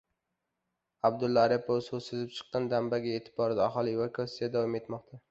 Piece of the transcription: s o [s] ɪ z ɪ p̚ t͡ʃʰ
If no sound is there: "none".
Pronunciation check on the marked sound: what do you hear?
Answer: s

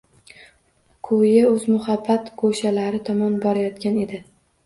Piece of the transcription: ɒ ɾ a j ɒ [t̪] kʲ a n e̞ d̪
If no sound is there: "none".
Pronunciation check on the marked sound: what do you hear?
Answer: t̪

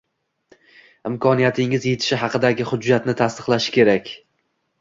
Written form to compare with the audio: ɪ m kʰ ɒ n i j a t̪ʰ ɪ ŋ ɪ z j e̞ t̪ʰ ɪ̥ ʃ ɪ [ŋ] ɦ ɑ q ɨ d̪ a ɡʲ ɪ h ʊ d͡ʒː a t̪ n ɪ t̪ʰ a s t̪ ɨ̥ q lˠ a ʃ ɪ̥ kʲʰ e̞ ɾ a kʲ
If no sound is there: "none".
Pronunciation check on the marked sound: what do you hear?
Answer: none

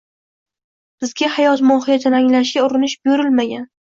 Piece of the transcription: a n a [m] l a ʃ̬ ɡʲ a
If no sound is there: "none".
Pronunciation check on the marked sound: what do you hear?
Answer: ŋ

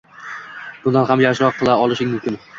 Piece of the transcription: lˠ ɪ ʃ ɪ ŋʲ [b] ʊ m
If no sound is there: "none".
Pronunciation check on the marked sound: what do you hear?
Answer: m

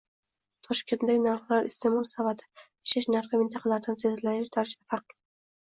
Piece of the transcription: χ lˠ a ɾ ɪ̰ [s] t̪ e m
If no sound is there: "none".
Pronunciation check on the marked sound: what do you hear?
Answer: s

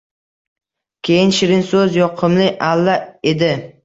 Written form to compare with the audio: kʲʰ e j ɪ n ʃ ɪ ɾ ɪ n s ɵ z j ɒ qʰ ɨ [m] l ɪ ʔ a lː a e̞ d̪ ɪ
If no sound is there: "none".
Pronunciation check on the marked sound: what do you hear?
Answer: m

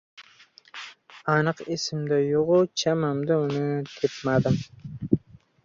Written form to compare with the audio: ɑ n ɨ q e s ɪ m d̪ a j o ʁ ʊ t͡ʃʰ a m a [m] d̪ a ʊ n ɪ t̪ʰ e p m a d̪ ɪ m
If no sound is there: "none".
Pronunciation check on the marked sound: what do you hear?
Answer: m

